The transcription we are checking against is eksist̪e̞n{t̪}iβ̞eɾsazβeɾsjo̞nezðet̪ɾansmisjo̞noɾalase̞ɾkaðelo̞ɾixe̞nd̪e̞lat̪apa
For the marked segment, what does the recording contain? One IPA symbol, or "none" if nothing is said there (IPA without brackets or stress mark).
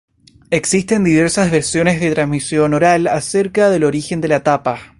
d̪